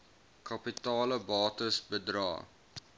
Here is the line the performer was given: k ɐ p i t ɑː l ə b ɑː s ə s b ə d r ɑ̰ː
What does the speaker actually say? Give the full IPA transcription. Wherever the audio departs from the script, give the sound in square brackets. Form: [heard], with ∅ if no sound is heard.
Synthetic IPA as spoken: k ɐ p i t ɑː l ə b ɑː [t] ə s b ə d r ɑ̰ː